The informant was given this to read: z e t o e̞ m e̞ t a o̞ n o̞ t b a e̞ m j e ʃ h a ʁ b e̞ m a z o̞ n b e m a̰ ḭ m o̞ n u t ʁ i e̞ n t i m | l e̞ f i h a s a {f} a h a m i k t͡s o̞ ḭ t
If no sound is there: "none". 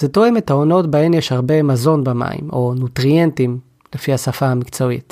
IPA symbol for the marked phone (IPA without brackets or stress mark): f